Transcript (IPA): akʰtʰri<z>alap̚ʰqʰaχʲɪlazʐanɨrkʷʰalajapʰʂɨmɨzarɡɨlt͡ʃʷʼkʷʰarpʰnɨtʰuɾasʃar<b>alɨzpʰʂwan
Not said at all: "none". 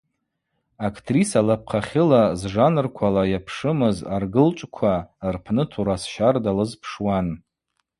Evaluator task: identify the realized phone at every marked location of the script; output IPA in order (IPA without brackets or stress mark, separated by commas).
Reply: s, d